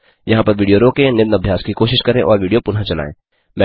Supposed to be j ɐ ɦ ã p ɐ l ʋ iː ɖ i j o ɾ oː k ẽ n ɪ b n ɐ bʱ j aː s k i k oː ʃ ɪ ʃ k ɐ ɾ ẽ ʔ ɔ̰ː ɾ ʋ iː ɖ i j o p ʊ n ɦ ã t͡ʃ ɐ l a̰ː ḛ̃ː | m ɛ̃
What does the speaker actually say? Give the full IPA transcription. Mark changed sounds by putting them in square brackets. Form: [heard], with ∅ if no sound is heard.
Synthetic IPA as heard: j ɐ ɦ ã p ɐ [ɾ] ʋ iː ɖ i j o ɾ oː k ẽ n ɪ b n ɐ bʱ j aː s k i k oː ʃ ɪ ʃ k ɐ ɾ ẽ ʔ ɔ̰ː ɾ ʋ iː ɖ i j o p ʊ n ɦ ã t͡ʃ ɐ l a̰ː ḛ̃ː | m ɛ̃